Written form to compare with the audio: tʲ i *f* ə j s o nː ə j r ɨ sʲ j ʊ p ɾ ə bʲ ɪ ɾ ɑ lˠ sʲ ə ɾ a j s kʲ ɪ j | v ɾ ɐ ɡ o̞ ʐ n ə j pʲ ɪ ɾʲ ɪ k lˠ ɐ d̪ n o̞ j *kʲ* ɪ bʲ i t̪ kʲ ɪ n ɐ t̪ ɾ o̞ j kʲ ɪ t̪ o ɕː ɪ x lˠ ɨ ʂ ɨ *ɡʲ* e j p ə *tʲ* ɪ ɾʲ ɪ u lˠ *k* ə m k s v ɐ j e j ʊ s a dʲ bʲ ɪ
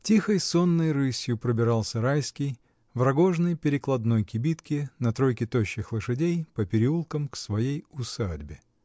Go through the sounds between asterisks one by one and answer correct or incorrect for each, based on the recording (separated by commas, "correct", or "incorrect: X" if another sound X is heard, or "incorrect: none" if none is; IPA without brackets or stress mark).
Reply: incorrect: x, correct, incorrect: dʲ, incorrect: pʲ, correct